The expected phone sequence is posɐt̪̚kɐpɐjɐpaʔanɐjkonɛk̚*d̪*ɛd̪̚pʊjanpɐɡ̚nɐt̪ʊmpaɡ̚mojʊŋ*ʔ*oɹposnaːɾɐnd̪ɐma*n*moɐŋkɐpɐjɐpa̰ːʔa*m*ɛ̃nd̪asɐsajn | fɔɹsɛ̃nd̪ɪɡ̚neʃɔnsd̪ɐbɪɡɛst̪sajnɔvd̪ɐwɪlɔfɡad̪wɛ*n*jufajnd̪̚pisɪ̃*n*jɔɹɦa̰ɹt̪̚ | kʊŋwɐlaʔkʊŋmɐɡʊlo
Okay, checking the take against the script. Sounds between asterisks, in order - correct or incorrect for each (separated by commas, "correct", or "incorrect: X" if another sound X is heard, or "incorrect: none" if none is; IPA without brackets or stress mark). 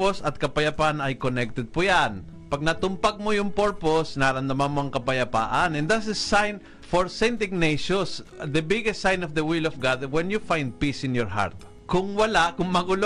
incorrect: t̪, incorrect: p, correct, incorrect: n, correct, correct